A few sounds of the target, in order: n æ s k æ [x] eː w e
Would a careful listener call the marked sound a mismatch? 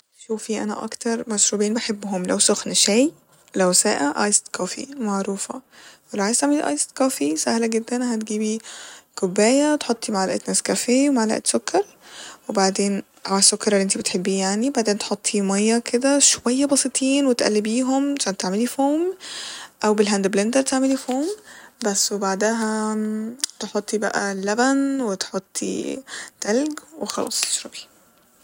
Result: yes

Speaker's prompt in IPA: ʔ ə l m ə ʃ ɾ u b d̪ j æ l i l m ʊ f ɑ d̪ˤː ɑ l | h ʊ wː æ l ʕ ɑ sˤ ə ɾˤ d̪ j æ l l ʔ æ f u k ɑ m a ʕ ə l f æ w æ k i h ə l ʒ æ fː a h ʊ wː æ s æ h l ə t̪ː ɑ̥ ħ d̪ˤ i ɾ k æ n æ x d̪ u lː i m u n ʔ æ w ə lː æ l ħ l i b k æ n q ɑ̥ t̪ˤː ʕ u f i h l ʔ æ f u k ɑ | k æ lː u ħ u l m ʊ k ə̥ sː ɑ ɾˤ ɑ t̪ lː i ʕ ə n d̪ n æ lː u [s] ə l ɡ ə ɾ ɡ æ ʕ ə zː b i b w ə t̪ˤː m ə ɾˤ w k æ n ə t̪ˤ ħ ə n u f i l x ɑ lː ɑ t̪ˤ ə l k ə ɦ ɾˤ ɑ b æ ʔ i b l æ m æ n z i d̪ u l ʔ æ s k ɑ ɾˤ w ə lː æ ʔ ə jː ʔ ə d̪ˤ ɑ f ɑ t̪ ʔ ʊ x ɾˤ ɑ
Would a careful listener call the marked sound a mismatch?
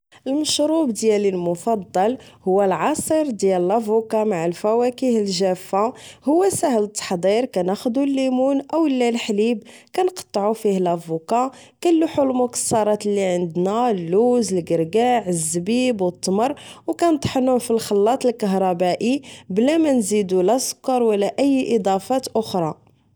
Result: yes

